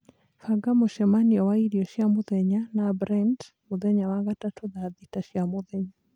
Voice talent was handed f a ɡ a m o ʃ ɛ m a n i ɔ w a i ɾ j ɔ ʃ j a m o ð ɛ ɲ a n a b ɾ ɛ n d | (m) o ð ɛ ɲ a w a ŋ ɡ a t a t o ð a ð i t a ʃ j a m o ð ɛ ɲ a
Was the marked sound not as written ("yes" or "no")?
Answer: no